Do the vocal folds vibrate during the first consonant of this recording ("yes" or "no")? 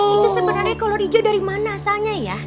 no